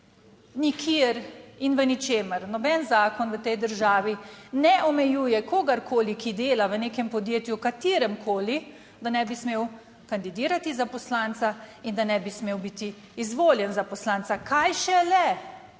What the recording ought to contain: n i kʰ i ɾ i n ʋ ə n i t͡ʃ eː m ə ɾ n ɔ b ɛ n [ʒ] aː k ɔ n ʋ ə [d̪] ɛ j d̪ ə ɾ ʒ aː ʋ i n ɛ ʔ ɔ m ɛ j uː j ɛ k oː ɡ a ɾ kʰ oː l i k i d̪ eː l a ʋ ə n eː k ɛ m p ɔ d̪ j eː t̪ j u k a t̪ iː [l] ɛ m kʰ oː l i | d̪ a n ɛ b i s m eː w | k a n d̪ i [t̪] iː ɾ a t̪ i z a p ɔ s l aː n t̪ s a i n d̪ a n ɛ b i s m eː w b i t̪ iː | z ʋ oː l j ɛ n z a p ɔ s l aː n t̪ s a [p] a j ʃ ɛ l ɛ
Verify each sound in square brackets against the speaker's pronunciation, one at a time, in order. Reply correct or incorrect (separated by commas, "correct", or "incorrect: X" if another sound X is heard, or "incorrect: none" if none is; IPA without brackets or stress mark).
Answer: incorrect: z, incorrect: t̪, incorrect: ɾ, incorrect: d̪, incorrect: k